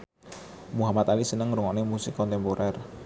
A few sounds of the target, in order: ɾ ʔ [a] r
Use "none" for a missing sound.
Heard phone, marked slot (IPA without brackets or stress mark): ɛ